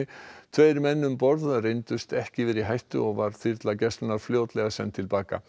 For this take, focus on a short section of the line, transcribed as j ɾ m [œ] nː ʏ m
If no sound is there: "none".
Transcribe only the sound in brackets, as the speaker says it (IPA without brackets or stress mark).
ɛ